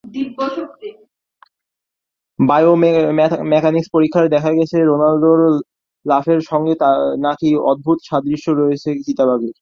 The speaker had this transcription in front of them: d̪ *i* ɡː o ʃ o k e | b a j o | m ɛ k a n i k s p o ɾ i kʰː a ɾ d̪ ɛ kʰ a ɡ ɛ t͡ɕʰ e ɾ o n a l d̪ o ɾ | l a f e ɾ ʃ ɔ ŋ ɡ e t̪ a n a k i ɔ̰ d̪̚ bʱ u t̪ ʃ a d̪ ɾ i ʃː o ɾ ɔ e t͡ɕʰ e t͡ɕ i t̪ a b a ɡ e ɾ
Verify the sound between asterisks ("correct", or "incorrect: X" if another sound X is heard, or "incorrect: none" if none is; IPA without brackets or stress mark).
correct